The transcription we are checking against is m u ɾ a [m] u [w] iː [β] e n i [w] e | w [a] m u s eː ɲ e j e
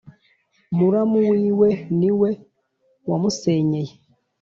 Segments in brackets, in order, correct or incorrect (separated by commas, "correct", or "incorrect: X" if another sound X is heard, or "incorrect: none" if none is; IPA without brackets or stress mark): correct, correct, incorrect: w, correct, correct